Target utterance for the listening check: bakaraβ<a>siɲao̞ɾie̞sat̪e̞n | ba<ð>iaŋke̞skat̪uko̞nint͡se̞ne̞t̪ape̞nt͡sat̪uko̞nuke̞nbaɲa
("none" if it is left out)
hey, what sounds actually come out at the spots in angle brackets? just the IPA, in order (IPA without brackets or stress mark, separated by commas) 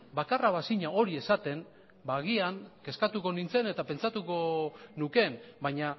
a, ɣ